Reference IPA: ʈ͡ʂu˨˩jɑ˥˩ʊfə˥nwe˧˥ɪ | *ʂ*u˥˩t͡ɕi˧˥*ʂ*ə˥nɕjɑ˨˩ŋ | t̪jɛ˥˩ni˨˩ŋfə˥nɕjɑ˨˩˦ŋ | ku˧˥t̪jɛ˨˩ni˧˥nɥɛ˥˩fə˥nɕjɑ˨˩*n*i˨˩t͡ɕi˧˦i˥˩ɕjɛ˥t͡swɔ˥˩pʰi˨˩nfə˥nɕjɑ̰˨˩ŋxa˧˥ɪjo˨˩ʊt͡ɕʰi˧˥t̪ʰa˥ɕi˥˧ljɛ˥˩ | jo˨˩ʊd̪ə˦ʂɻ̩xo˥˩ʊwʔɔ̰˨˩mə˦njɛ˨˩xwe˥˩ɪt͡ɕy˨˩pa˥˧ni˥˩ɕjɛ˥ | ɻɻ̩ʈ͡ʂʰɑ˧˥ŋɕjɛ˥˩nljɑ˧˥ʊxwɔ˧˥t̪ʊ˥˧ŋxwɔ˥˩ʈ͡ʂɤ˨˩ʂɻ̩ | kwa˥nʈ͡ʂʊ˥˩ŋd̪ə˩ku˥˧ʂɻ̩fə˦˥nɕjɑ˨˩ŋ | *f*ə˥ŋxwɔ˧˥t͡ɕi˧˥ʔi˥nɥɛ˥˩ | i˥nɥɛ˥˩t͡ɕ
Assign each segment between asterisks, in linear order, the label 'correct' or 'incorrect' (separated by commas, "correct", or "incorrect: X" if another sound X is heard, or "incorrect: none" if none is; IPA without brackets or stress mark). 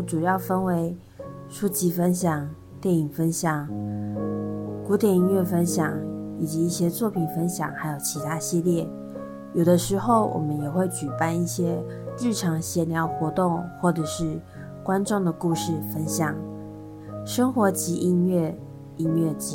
correct, incorrect: f, incorrect: ŋ, incorrect: ʂ